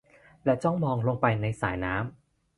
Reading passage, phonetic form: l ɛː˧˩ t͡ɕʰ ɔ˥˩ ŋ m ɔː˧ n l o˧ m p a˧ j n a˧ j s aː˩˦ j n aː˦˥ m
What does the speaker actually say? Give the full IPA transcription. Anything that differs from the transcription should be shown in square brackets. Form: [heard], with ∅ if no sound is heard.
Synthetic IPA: l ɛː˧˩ [t͡ɕ] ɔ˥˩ ŋ m ɔː˧ [ŋ] l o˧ [ŋ] p a˧ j n a˧ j s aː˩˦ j n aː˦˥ m